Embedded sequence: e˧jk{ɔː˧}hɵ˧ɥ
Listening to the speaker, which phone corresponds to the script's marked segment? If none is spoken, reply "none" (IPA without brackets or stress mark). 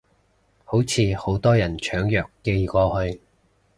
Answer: ɔː˧